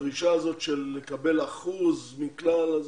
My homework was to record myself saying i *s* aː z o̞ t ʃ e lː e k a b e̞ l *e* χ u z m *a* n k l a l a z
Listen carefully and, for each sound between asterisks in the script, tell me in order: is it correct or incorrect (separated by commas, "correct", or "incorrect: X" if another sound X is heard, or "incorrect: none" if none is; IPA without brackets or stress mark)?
incorrect: ʃ, incorrect: a, incorrect: i